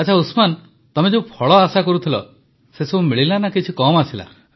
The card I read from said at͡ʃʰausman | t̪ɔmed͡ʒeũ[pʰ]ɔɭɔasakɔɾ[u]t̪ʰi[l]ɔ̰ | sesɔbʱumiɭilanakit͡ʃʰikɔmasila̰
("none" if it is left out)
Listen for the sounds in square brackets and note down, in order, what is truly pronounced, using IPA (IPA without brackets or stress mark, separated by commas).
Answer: pʰ, u, l